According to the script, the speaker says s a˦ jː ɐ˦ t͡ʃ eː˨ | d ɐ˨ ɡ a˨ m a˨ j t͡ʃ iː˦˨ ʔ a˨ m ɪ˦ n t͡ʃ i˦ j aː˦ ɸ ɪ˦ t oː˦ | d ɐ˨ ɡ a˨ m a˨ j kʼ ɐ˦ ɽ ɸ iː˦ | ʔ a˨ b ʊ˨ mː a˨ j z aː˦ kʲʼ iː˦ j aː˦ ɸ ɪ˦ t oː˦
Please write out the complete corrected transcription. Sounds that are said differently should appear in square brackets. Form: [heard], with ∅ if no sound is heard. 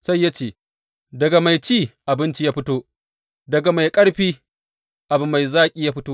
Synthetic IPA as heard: s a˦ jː [a˦] t͡ʃ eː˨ | d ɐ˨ ɡ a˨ m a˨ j t͡ʃ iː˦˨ ʔ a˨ [b] ɪ˦ n t͡ʃ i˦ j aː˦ ɸ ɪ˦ t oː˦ | d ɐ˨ ɡ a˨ m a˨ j kʼ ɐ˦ ɽ ɸ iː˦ | ʔ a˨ b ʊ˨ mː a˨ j z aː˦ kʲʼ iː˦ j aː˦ ɸ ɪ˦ t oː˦